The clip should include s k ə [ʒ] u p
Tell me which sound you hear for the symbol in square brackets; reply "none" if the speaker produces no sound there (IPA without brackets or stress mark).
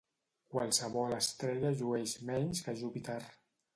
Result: ʒ